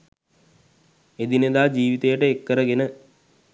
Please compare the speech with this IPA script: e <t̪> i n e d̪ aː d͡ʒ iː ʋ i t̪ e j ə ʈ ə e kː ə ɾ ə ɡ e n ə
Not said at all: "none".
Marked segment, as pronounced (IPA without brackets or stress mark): d̪